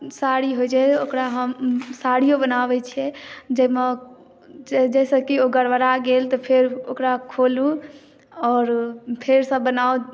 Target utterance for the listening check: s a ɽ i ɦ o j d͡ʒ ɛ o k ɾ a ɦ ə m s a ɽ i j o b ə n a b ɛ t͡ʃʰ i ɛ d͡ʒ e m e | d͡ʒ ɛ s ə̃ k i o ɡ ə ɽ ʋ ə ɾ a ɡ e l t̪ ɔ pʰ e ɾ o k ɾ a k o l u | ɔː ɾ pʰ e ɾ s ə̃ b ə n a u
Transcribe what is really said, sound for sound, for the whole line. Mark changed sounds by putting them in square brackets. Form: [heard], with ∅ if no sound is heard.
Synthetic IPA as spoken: s a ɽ i ɦ o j d͡ʒ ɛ o k ɾ a ɦ ə m s a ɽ i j o b ə n a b ɛ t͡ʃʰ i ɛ d͡ʒ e m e | d͡ʒ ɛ s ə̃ k i o ɡ ə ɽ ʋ ə ɾ a ɡ e l t̪ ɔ pʰ e ɾ o k ɾ a [kʰ] o l u | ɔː ɾ pʰ e ɾ s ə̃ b ə n a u

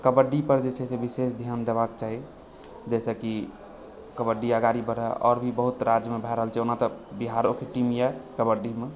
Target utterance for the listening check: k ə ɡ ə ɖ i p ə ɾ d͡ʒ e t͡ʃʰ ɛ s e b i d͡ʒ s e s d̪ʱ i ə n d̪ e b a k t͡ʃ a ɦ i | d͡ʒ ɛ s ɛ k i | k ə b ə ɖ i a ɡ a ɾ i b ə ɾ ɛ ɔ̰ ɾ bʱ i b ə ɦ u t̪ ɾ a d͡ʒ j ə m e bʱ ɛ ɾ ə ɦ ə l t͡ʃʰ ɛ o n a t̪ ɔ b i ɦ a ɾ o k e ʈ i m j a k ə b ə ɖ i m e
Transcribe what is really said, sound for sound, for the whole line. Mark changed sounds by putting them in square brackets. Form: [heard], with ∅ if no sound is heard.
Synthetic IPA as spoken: k ə [b] ə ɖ i p ə ɾ d͡ʒ e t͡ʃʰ ɛ s e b i [∅] s e s d̪ʱ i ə n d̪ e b a k t͡ʃ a ɦ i | d͡ʒ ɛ s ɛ k i | k ə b ə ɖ i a ɡ a ɾ i b ə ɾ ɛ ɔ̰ ɾ bʱ i b ə ɦ u t̪ ɾ a d͡ʒ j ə m e bʱ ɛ ɾ ə ɦ ə l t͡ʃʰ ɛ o n a t̪ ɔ b i ɦ a ɾ o k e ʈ i m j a k ə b ə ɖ i m e

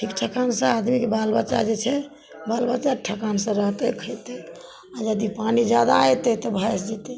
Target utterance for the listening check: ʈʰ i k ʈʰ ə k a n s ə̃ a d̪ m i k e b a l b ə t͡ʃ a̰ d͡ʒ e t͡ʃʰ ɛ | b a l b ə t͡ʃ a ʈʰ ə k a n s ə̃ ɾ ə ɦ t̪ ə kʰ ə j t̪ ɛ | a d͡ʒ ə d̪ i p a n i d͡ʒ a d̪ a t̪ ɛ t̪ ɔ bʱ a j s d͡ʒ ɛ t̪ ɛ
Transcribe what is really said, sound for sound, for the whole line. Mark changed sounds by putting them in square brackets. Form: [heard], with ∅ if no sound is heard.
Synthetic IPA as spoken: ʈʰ i k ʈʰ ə k a n s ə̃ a d̪ m i k e b a l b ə t͡ʃ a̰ d͡ʒ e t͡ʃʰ ɛ | b a l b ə t͡ʃ a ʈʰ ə k a n s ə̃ ɾ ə ɦ t̪ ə kʰ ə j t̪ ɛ | a d͡ʒ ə d̪ i p a n i d͡ʒ a d̪ a t̪ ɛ t̪ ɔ bʱ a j s d͡ʒ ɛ t̪ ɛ

